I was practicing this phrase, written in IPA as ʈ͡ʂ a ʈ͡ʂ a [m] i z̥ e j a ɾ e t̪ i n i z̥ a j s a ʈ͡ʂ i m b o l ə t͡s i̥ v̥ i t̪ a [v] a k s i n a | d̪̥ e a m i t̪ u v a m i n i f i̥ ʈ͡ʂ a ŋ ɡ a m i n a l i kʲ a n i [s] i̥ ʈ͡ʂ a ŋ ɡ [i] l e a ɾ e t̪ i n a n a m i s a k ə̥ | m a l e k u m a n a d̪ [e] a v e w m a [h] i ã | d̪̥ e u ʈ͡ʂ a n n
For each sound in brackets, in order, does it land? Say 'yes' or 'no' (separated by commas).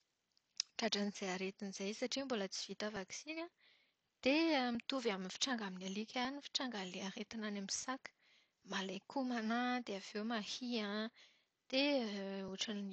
no, yes, no, no, yes, yes